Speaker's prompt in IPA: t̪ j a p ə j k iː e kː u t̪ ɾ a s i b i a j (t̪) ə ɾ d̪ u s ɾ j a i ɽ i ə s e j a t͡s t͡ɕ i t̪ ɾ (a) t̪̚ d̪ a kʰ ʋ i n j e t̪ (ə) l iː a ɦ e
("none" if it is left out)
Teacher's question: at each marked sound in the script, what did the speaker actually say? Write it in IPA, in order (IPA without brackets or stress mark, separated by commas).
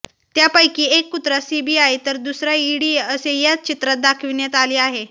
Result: t̪, a, a